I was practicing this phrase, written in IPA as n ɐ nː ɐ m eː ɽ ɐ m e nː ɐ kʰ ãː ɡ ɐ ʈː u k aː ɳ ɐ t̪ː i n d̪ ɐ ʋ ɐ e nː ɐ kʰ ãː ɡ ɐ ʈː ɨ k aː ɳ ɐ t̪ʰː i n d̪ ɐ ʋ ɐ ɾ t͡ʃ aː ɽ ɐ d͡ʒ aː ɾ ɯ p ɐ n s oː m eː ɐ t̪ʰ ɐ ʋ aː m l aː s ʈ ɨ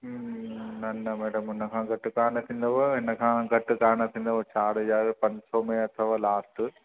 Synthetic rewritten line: n ɐ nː ɐ m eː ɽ ɐ m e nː ɐ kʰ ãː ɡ ɐ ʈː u k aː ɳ ɐ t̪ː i n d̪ ɐ ʋ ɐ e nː ɐ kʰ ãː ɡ ɐ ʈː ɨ k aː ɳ ɐ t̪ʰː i n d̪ ɐ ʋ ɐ t͡ʃ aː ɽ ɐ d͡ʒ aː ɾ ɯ p ɐ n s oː m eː ɐ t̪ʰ ɐ ʋ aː l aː s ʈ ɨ